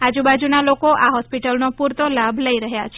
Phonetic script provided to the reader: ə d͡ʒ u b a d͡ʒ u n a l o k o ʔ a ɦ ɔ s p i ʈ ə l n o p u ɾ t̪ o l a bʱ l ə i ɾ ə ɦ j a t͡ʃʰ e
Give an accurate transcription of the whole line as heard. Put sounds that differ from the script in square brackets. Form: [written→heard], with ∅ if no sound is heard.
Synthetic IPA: [ə→a] d͡ʒ u b a d͡ʒ u n a l o k o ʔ a ɦ ɔ s p i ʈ ə l n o p u ɾ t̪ o l a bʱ l ə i ɾ ə ɦ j a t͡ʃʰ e